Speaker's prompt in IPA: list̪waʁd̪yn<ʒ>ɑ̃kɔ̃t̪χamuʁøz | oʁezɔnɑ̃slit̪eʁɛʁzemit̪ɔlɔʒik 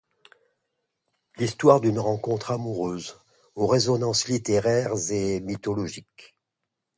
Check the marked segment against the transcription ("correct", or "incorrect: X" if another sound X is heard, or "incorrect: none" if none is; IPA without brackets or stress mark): incorrect: ʁ